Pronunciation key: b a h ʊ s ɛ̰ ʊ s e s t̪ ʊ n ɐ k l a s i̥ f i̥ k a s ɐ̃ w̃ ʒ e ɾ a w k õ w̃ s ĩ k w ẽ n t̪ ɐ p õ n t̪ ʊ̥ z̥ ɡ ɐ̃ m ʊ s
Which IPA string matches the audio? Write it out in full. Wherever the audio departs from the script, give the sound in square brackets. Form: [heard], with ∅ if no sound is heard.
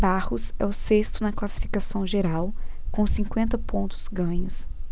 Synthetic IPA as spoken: b a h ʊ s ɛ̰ ʊ s e s t̪ ʊ n ɐ k l a s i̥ f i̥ k a s ɐ̃ w̃ ʒ e ɾ a w k õ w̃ s ĩ k w ẽ n t̪ ɐ p õ n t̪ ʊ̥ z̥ ɡ ɐ̃ [ɲ] ʊ s

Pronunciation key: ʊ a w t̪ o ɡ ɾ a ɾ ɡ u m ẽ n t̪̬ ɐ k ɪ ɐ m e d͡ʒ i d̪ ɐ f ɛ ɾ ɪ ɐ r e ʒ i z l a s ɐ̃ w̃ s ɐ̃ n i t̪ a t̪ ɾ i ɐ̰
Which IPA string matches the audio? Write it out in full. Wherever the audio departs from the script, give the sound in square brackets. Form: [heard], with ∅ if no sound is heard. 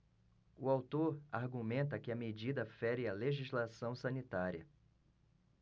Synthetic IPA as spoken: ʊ a w t̪ o [∅] ɾ a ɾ ɡ u m ẽ n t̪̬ ɐ k ɪ ɐ m e d͡ʒ i d̪ ɐ f ɛ ɾ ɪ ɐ [l] e ʒ i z l a s ɐ̃ w̃ s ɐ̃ n i t̪ a [∅] ɾ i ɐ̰

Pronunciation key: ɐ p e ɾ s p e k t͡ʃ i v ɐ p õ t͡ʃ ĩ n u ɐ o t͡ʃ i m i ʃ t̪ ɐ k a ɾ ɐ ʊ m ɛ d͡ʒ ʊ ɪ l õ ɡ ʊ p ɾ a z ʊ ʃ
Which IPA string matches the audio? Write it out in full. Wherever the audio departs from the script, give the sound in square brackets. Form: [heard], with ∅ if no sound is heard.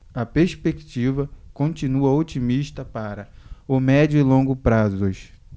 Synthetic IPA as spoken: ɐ p e ɾ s p e k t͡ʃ i v ɐ [k] õ t͡ʃ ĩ n u ɐ o t͡ʃ i m i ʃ t̪ ɐ [p] a ɾ ɐ ʊ m ɛ d͡ʒ ʊ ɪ l õ ɡ ʊ p ɾ a z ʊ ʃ

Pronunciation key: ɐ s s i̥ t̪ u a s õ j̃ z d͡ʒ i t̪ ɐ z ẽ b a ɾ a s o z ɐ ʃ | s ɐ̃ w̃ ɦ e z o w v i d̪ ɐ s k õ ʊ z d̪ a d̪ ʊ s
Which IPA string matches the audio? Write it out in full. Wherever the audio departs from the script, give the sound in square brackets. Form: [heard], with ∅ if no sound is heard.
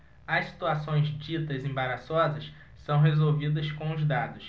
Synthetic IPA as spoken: ɐ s s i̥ t̪ u a s õ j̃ z d͡ʒ i t̪ ɐ z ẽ b a ɾ a s [ɔ] z ɐ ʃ | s ɐ̃ w̃ ɦ e z o w v i d̪ ɐ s k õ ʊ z d̪ a d̪ ʊ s

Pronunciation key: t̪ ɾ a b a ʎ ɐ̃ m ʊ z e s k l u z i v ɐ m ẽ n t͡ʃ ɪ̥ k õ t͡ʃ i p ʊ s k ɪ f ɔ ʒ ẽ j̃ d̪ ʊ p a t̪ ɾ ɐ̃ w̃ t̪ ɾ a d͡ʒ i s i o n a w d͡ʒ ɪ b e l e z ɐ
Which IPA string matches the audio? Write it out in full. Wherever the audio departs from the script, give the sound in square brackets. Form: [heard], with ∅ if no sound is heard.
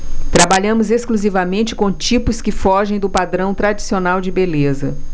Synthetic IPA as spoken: t̪ ɾ a b a ʎ ɐ̃ m ʊ z e s k l u z i v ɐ m ẽ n t͡ʃ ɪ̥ k õ t͡ʃ i p ʊ s k ɪ f ɔ ʒ ẽ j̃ d̪ ʊ p a [d̪] ɾ ɐ̃ w̃ t̪ ɾ a d͡ʒ i s i o n a w d͡ʒ ɪ b e l e z ɐ

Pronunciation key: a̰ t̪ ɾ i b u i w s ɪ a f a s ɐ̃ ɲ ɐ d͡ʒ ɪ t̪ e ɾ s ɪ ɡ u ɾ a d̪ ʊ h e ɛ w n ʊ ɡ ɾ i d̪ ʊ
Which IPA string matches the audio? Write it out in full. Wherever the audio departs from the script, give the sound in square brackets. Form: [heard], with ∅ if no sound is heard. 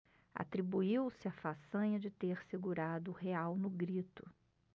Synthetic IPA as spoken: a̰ t̪ ɾ i b u i w s ɪ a f a s ɐ̃ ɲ ɐ d͡ʒ ɪ t̪ e ɾ s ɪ ɡ u ɾ a d̪ ʊ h e [a] w n ʊ ɡ ɾ i [t̪] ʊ

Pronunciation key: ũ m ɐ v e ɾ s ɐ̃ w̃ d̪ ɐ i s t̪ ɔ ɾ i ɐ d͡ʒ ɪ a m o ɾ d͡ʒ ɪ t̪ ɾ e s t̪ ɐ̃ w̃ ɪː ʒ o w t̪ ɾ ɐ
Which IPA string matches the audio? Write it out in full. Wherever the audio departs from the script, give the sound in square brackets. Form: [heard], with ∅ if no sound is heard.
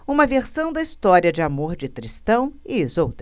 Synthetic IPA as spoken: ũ m ɐ v e ɾ s ɐ̃ w̃ d̪ ɐ i s t̪ ɔ ɾ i ɐ d͡ʒ ɪ a m o ɾ d͡ʒ ɪ t̪ ɾ [i] s t̪ ɐ̃ w̃ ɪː [z] o w t̪ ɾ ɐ

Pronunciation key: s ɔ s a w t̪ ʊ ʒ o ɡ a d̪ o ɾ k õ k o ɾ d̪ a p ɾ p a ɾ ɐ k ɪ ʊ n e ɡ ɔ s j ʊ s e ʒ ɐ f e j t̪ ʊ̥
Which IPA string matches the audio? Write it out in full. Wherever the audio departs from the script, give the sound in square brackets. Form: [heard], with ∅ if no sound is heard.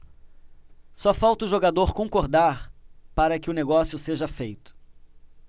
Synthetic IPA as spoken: s ɔ [f] a w t̪ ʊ ʒ o ɡ a d̪ o ɾ k õ k o ɾ d̪ a [∅] ɾ p a ɾ ɐ k ɪ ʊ n e ɡ ɔ s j ʊ s e ʒ ɐ f e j t̪ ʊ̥

